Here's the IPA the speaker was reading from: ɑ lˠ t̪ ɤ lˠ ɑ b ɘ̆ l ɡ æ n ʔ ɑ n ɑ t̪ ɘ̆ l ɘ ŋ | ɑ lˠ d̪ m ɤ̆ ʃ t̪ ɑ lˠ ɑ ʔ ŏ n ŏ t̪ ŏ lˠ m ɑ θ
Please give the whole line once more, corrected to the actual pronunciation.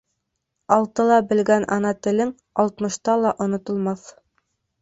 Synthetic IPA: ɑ lˠ t̪ ɤ lˠ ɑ b ɘ̆ l ɡ æ n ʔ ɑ n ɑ t̪ ɘ̆ l ɘ ŋ | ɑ lˠ t̪ m ɤ̆ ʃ t̪ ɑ lˠ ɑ ʔ ŏ n ŏ t̪ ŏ lˠ m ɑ θ